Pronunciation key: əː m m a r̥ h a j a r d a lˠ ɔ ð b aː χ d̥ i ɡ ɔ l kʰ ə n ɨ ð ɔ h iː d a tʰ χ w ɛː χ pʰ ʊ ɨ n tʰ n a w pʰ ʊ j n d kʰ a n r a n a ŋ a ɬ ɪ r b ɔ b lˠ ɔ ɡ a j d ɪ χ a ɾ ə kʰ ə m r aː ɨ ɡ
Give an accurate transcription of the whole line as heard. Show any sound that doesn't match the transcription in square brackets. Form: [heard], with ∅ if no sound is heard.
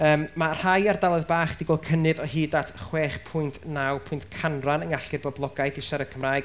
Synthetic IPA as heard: əː m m a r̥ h a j a r d a lˠ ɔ ð b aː χ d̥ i ɡ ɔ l kʰ ə n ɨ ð ɔ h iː d a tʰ χ w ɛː χ pʰ ʊ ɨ n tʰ n a w pʰ ʊ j n [t] kʰ a n r a n [ə] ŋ a ɬ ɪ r b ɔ b lˠ ɔ ɡ a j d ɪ [ʃ] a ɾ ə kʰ ə m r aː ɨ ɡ